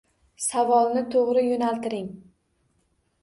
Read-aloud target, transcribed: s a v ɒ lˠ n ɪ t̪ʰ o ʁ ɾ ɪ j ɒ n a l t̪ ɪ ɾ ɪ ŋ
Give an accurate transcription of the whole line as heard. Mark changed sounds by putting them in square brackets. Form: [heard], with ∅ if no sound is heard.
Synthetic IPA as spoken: s a v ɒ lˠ n ɪ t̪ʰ o ʁ ɾ ɪ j [o] n a l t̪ ɪ ɾ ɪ ŋ